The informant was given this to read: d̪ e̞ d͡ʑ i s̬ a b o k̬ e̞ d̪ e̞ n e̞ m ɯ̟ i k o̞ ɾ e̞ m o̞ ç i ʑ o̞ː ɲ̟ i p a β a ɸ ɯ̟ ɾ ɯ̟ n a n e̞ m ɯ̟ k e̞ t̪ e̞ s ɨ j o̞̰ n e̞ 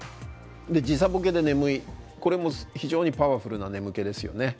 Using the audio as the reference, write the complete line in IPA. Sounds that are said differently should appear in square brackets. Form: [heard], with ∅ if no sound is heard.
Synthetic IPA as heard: d̪ e̞ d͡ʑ i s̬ a b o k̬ e̞ d̪ e̞ n e̞ m ɯ̟ i k o̞ ɾ e̞ m o̞ ç i ʑ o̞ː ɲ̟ i p a β a ɸ ɯ̟ ɾ ɯ̟ n a n e̞ m ɯ̟ k e̞ [d̪] e̞ s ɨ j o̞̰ n e̞